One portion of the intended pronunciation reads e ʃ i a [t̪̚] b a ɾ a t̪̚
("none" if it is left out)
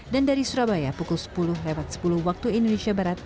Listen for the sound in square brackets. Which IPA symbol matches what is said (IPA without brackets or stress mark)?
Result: none